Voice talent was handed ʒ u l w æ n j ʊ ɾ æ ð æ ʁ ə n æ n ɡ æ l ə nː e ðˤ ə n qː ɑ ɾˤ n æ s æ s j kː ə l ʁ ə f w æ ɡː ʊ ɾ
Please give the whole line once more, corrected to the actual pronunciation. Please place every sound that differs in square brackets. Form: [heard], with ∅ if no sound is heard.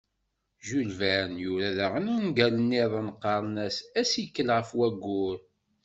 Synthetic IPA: ʒ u l [v] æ n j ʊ ɾ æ ð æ ʁ ə n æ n ɡ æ l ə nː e ðˤ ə n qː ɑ ɾˤ n æ s æ s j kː ə l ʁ ə f w æ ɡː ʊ ɾ